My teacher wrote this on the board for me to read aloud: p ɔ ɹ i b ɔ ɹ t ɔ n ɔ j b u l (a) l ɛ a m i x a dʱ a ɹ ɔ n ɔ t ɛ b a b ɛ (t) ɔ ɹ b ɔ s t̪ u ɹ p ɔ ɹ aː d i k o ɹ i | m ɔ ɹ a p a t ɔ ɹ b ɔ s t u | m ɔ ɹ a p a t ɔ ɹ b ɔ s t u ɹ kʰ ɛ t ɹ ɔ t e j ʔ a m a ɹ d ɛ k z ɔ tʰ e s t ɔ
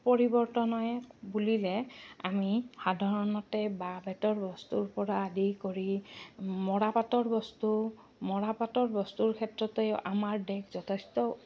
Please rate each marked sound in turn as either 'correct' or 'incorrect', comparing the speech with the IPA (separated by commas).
incorrect, correct